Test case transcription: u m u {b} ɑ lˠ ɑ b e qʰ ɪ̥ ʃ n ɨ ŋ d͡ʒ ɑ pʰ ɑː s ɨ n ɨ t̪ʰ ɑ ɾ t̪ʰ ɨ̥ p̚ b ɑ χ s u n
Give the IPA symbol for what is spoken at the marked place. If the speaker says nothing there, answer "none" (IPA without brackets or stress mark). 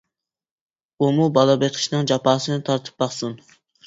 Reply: b